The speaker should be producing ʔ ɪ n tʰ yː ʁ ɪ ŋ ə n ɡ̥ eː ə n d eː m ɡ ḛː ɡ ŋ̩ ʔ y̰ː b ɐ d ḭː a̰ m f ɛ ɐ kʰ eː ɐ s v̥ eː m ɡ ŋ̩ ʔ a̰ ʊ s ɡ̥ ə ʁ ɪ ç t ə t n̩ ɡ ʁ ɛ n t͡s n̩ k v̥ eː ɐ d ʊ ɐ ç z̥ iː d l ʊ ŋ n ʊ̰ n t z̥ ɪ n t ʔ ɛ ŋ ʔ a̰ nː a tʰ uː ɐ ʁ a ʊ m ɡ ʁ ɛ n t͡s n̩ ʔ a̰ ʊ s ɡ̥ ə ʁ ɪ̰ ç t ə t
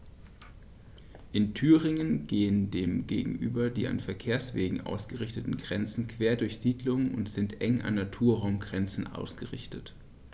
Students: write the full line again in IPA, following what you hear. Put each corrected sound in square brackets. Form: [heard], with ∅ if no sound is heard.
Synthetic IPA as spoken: ʔ ɪ n tʰ yː ʁ ɪ ŋ ə n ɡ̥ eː ə n d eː m ɡ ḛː ɡ ŋ̩ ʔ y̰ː b ɐ d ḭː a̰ [n] f ɛ ɐ kʰ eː ɐ s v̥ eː [∅] ɡ ŋ̩ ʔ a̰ ʊ s ɡ̥ ə ʁ ɪ ç t ə t n̩ ɡ ʁ ɛ n t͡s n̩ k v̥ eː ɐ d ʊ ɐ ç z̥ iː d l ʊ ŋ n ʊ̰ n t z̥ ɪ n t ʔ ɛ ŋ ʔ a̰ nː a tʰ uː ɐ ʁ a ʊ m ɡ ʁ ɛ n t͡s n̩ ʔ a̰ ʊ s ɡ̥ ə ʁ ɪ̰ ç t ə t